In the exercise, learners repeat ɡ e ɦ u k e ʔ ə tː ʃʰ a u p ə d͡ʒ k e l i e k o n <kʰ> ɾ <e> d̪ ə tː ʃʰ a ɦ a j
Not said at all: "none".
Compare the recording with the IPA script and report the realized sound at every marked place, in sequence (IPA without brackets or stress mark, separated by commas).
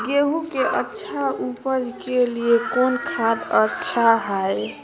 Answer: kʰ, a